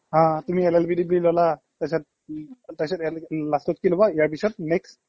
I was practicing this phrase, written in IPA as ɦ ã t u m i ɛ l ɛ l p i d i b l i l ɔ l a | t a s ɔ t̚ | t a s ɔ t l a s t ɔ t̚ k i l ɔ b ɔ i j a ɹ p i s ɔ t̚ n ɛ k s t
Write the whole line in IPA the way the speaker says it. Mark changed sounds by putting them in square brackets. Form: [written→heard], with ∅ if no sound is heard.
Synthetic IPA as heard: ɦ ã t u m i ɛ l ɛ l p i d i b l i l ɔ l a | t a s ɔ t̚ | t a s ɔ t l a s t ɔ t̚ k i l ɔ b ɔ i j a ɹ p i s ɔ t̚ n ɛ k s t